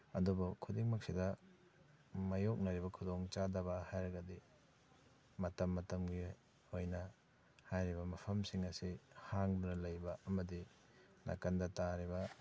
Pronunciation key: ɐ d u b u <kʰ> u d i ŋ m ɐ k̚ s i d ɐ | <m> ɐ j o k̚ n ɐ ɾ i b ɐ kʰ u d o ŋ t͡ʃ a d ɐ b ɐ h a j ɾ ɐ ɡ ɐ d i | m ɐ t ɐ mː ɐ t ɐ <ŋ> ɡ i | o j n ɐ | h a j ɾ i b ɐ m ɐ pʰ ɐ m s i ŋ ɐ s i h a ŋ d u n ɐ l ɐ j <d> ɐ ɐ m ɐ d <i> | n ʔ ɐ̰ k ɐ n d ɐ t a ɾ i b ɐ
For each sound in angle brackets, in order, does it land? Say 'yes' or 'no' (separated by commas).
yes, yes, no, no, yes